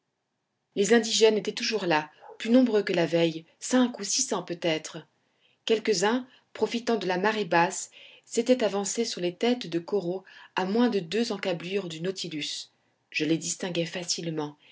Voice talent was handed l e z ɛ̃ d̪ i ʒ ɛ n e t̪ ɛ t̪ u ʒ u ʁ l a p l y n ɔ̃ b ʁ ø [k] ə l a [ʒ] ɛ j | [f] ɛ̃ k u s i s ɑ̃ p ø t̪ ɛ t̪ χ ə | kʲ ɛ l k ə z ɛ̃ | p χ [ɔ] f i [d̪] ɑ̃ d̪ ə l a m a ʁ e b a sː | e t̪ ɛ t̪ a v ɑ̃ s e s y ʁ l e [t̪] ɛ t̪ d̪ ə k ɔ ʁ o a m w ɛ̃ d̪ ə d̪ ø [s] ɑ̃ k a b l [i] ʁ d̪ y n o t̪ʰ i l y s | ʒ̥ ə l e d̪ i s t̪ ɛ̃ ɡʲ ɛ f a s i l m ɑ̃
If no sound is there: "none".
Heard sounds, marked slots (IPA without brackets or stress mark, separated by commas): k, v, s, ɔ, t̪, t̪, z, y